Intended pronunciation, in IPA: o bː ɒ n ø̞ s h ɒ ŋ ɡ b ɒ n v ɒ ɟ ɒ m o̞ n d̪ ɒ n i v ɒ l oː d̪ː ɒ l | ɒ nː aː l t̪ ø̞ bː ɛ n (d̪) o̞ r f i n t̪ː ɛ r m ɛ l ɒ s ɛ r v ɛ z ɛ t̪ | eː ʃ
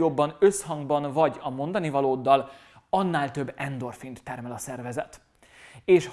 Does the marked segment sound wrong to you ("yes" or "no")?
no